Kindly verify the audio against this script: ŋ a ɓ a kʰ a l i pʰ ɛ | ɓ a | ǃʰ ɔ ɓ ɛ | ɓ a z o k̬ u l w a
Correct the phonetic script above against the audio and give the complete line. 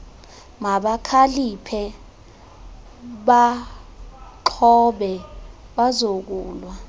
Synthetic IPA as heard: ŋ a ɓ a kʰ a l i pʰ ɛ | ɓ a | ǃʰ ɔ ɓ ɛ | ɓ a z o k̬ uː l w a

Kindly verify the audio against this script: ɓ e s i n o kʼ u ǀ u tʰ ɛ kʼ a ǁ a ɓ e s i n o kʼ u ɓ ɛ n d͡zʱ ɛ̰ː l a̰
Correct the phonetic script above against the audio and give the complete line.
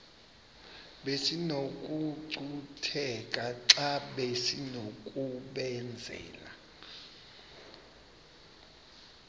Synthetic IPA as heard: ɓ e s i n o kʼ u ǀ u tʰ ɛ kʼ a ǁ a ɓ e s i n o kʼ u ɓ ɛ n d͡zʱ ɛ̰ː l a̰

